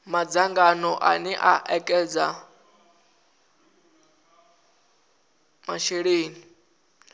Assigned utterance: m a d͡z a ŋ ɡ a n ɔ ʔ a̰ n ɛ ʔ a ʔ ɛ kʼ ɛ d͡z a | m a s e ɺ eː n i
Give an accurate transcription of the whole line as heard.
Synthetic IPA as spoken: m a d͡z a ŋ ɡ a n ɔ ʔ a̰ n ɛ ʔ a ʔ ɛ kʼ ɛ d͡z a | m a ʃ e ɺ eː n i